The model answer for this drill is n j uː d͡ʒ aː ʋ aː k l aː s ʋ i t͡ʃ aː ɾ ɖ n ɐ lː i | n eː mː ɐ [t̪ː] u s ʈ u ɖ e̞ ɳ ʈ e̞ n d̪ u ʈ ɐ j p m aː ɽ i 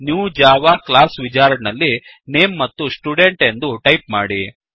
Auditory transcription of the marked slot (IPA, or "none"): t̪ː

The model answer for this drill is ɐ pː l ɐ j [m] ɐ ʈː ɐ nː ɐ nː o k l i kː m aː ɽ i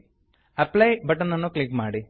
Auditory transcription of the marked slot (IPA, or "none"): b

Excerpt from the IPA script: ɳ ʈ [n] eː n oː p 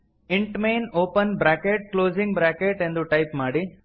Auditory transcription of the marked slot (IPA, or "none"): m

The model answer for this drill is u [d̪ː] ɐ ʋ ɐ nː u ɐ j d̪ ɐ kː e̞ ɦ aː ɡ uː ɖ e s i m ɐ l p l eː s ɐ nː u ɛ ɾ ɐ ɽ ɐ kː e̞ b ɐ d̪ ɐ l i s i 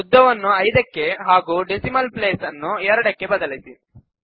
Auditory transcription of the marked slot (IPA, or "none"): d̪ː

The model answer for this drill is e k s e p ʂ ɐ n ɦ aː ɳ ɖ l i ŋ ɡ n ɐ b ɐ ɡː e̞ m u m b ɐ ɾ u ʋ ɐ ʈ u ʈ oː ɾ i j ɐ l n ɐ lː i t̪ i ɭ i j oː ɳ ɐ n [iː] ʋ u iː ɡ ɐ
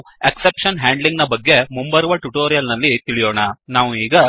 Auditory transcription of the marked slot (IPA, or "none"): aː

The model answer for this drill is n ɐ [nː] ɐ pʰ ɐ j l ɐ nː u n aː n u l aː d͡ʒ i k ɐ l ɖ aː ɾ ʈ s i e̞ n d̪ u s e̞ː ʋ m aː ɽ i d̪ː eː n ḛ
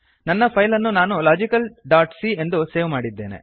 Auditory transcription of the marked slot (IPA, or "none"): nː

